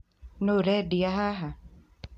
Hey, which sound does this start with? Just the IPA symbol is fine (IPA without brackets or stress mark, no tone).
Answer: n